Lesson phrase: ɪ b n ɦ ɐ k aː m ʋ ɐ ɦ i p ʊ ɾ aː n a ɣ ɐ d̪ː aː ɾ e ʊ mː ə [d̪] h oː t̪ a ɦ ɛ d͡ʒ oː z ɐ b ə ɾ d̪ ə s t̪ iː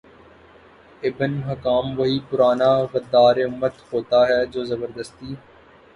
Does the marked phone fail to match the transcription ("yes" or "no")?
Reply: yes